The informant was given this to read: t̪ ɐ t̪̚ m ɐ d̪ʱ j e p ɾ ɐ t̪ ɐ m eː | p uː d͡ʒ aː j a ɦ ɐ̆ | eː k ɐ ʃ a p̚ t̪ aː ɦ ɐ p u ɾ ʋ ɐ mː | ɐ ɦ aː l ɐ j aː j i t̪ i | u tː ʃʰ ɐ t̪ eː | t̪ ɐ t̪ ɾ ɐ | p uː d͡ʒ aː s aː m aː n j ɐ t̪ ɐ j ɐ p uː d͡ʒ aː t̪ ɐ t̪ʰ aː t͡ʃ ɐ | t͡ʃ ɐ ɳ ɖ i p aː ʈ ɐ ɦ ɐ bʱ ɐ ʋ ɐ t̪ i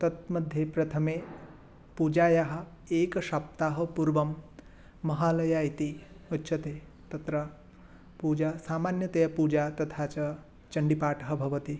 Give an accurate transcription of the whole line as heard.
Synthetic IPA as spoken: t̪ ɐ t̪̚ m ɐ d̪ʱ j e p ɾ ɐ t̪ʰ ɐ m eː | p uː d͡ʒ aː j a ɦ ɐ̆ | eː k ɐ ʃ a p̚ t̪ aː ɦ ɐ p u ɾ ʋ ɐ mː | ɐ ɦ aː l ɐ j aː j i t̪ i | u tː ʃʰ ɐ t̪ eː | t̪ ɐ t̪ ɾ ɐ | p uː d͡ʒ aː s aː m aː n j ɐ t̪ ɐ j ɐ p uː d͡ʒ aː t̪ ɐ t̪ʰ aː t͡ʃ ɐ | t͡ʃ ɐ ɳ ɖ i p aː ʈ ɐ ɦ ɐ bʱ ɐ ʋ ɐ t̪ i